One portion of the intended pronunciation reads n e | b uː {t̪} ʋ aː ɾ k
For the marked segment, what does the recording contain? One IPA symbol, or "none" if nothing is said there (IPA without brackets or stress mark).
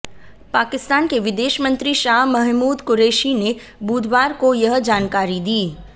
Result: d̪